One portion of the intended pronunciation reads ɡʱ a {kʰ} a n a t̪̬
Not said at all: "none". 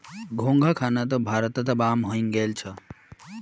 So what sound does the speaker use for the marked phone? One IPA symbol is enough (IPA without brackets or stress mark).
kʰ